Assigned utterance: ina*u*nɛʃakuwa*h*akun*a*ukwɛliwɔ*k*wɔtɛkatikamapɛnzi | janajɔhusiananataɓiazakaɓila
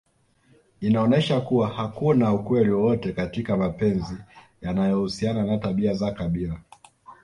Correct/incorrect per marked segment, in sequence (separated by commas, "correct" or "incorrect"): incorrect, correct, correct, incorrect